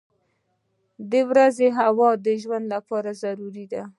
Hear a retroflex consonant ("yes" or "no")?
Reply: no